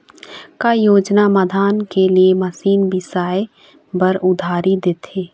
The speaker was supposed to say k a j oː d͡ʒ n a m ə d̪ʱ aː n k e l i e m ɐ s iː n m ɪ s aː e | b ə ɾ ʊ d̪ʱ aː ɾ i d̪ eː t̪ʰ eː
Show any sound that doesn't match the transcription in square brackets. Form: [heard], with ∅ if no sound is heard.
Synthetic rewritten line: k a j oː d͡ʒ n a m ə d̪ʱ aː n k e l i e m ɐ s iː n [b] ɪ s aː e | b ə ɾ ʊ d̪ʱ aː ɾ i d̪ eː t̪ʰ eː

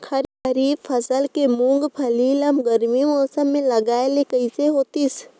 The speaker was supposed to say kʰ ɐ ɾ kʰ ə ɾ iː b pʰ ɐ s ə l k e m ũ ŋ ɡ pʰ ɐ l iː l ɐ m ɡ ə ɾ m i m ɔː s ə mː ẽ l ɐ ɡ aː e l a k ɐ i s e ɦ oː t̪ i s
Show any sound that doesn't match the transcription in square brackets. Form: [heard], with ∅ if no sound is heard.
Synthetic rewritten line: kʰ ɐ ɾ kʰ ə ɾ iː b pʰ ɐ s ə l k e m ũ ŋ ɡ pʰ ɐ l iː l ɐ m ɡ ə ɾ m i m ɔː s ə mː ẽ l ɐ ɡ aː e l [e] k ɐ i s e ɦ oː t̪ i s

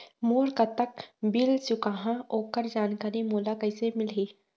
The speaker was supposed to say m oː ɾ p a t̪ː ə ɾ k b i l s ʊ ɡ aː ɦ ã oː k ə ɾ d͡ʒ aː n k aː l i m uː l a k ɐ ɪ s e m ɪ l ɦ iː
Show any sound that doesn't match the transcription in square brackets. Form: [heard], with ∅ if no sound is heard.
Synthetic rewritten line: m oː ɾ [k] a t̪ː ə [∅] k b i l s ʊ [k] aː ɦ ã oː k ə ɾ d͡ʒ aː n k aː [ɾ] i m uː l a k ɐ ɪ s e m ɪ l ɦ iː

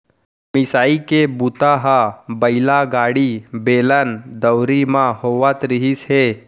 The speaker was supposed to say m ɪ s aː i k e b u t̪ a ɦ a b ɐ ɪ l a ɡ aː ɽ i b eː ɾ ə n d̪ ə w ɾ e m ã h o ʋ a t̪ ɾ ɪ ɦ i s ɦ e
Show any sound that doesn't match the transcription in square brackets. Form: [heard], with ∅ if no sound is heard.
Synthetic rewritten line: m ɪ s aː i k e b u t̪ a ɦ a b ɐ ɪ l a ɡ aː ɽ i b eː [l] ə n d̪ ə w ɾ [i] m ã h o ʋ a t̪ ɾ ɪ ɦ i s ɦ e

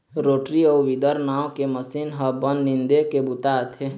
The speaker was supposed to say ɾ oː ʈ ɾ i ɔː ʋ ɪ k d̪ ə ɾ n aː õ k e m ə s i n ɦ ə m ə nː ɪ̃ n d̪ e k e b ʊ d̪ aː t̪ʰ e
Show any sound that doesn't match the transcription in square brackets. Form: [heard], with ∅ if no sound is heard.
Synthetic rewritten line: ɾ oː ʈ ɾ i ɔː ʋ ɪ [∅] d̪ ə ɾ n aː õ k e m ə s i n ɦ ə [b] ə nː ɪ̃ n d̪ e k e b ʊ [t̪] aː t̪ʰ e

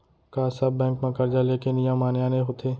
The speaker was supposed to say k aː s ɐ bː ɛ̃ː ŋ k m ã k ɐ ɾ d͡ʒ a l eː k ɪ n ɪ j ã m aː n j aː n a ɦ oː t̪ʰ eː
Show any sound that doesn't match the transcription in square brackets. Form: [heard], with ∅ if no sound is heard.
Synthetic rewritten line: k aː s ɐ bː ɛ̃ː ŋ k m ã k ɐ ɾ d͡ʒ a l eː k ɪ n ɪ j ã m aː n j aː n [e] ɦ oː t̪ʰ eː

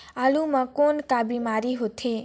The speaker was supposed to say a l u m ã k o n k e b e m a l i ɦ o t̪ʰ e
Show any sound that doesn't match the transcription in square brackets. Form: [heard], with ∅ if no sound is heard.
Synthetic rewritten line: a l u m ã k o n k [a] b [i] m a [ɾ] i ɦ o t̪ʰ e

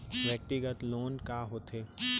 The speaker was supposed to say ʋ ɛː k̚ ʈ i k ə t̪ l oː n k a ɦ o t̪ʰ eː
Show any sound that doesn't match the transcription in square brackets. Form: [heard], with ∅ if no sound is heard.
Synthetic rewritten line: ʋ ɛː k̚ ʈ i [ɡ] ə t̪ l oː n k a ɦ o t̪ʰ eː

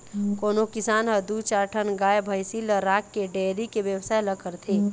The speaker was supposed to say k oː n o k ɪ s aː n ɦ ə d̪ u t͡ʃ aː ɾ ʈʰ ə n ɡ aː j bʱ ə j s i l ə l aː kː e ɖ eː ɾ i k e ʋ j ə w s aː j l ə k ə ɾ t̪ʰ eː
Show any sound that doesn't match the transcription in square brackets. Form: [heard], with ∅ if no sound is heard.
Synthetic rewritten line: k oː n o k ɪ s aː n ɦ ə d̪ u t͡ʃ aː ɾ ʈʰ ə n ɡ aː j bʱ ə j s i l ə [ɾ] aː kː e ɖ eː ɾ i k e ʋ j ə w s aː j l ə k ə ɾ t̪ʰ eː

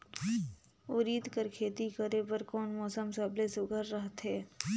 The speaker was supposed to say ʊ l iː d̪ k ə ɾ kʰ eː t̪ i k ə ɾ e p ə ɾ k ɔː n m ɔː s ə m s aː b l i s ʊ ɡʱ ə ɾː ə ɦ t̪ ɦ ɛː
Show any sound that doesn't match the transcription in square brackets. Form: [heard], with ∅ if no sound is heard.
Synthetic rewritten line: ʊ [ɾ] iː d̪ k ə ɾ kʰ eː t̪ i k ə ɾ e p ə ɾ k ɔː n m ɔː s ə m s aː b l [e] s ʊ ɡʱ ə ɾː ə ɦ t̪ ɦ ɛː

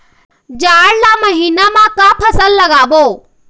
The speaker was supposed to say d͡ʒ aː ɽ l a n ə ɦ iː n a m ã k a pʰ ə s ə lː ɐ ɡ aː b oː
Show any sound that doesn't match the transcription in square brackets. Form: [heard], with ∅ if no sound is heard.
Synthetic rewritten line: d͡ʒ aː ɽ l a [m] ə ɦ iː n a m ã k a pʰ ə s ə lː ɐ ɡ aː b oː

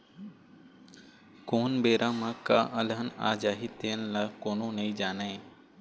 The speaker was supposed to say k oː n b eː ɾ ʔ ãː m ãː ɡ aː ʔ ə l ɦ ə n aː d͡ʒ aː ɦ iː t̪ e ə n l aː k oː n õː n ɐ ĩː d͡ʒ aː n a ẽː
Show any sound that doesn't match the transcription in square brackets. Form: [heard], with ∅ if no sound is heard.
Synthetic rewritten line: k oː n b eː ɾ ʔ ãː m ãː [k] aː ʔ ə l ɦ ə n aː d͡ʒ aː ɦ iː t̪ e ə n l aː k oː n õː n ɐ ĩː d͡ʒ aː n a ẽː

